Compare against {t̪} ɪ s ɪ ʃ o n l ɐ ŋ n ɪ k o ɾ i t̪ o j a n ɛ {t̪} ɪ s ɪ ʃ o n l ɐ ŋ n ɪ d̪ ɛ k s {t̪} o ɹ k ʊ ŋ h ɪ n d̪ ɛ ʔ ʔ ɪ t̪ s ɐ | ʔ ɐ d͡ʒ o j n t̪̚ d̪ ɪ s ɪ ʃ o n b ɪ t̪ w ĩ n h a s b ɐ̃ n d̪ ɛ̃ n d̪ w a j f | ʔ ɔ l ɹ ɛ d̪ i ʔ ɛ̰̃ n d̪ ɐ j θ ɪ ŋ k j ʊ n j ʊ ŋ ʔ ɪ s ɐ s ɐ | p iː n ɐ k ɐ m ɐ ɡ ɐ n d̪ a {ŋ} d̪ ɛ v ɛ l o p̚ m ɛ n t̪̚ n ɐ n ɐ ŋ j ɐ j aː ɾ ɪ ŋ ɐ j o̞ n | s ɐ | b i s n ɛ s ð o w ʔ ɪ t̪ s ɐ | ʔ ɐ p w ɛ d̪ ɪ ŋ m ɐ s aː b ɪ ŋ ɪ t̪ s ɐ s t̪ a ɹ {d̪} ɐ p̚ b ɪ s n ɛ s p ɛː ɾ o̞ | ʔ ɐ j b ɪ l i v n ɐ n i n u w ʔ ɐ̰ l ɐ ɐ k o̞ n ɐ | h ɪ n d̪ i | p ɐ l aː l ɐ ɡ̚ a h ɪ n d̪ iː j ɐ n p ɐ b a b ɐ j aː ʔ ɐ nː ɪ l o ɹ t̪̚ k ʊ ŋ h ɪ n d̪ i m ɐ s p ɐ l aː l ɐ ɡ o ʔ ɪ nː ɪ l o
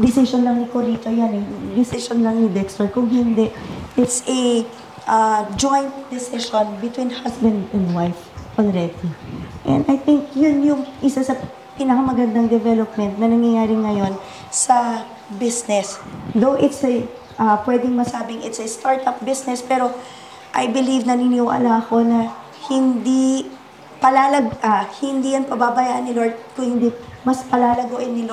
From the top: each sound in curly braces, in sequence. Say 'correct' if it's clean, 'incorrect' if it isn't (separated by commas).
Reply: incorrect, incorrect, correct, correct, incorrect